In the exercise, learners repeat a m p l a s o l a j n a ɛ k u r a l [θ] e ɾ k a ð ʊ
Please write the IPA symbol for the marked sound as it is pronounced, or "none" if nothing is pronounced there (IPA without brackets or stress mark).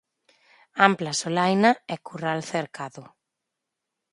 θ